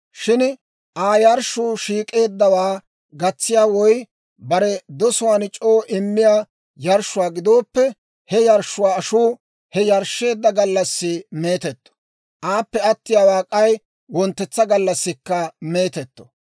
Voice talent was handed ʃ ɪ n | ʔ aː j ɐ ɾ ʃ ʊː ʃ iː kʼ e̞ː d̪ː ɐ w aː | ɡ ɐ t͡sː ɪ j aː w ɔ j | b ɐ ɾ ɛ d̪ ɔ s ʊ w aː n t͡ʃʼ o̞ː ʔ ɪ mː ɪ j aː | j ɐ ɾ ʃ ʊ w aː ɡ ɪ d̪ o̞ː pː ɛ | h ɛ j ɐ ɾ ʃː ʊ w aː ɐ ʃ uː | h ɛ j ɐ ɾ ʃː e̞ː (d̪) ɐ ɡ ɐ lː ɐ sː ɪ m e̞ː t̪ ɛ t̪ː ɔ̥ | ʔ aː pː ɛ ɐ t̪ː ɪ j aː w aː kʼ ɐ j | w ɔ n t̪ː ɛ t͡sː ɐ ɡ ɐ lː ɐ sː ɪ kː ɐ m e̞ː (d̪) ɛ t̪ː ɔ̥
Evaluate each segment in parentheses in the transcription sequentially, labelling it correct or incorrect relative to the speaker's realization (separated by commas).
incorrect, incorrect